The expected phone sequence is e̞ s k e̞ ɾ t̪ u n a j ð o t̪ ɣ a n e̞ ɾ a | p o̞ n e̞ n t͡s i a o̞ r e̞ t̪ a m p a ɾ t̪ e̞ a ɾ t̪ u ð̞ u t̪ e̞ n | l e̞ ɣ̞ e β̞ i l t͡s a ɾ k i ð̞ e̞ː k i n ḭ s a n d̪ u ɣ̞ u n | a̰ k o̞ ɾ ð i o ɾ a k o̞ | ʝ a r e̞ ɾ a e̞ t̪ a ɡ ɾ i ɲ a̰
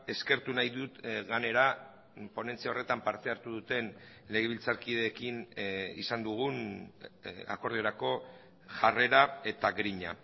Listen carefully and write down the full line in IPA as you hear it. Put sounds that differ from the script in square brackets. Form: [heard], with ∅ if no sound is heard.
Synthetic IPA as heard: e̞ s k e̞ ɾ t̪ u n a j ð [u] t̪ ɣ a n e̞ ɾ a | p o̞ n e̞ n t͡s i a o̞ r e̞ t̪ a m p a ɾ t̪ e̞ a ɾ t̪ u ð̞ u t̪ e̞ n | l e̞ ɣ̞ e β̞ i l t͡s a ɾ k i ð̞ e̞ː k i n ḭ s a n d̪ u ɣ̞ u n | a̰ k o̞ ɾ ð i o ɾ a k o̞ | ʝ a r e̞ ɾ a e̞ t̪ a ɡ ɾ i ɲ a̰